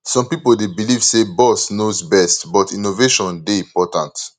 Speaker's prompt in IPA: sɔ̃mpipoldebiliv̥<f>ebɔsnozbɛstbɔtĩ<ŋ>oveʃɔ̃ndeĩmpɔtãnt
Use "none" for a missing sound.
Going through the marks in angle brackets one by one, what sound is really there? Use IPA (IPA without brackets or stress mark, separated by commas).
s, n